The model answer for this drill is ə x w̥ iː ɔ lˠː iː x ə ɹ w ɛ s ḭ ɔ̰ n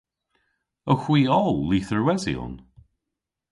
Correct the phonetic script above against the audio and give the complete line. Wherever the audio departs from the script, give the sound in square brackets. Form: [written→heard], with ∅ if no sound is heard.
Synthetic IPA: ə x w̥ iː ɔ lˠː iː [x→θ] ə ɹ w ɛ [s→z] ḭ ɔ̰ n